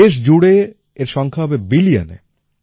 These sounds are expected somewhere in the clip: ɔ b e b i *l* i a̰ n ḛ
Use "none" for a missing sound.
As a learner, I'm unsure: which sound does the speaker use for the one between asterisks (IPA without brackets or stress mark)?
l